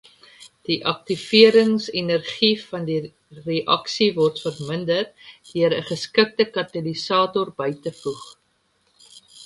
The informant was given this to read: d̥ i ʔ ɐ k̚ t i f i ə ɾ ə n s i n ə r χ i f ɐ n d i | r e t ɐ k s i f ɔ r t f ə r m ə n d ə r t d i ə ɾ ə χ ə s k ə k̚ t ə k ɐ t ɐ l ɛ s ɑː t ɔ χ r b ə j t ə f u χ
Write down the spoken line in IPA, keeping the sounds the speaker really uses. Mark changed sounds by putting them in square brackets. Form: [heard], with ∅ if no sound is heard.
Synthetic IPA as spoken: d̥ i ʔ ɐ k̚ t i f i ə ɾ ə [ŋ] s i n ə r χ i f ɐ n d i | r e [ʔ] ɐ k s i [v] ɔ r t f ə r m ə n d ə r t d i ə ɾ ə χ ə s k ə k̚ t ə k ɐ t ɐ l [i] s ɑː t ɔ [∅] r b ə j t ə f u χ